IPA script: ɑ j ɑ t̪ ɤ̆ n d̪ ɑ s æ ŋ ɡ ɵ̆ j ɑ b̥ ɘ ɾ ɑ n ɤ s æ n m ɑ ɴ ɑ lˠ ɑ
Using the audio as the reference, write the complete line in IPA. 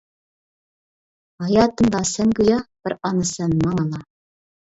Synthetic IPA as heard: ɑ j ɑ t̪ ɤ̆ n d̪ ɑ s æ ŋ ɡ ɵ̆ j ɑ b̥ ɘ ɾ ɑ n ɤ s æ n m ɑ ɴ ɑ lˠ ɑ